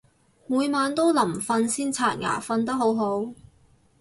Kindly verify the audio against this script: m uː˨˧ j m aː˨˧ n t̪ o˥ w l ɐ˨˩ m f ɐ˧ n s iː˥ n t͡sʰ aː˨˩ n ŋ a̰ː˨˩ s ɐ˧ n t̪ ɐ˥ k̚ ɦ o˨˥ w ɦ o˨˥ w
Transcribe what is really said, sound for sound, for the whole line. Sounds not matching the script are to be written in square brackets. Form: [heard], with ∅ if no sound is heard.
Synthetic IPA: m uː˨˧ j m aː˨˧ n t̪ o˥ w l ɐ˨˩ m f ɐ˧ n s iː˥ n t͡sʰ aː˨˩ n ŋ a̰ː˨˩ [f] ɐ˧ n t̪ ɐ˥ k̚ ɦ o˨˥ w ɦ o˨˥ w